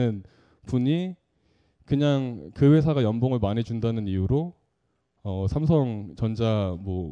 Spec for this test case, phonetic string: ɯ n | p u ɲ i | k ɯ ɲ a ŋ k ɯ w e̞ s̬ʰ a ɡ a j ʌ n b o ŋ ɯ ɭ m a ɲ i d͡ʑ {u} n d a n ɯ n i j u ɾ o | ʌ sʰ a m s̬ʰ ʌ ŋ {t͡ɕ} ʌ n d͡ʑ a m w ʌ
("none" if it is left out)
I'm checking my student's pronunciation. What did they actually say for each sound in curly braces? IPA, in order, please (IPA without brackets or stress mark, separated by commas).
u, t͡ɕ